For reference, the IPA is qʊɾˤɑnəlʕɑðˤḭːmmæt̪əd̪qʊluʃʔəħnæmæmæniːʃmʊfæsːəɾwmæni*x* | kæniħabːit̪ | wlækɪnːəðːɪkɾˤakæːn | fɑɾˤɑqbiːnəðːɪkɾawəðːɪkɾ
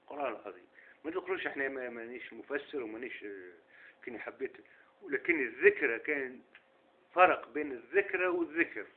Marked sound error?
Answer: yes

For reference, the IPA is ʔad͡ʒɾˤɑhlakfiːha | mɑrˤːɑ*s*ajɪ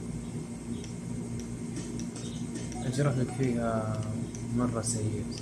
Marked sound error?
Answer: no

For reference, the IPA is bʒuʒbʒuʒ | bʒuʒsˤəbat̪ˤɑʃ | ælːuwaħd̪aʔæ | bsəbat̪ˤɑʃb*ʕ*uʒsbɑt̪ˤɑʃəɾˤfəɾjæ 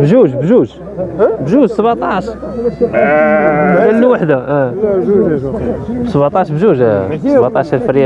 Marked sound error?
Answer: yes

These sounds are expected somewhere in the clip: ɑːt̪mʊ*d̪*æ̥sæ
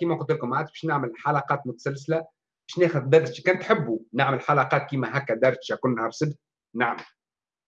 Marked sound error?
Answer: yes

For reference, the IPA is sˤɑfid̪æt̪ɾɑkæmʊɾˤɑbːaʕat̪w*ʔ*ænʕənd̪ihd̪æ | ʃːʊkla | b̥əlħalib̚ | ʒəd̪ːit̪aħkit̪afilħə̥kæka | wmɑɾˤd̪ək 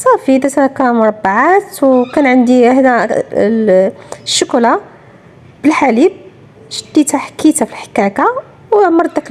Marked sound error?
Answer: yes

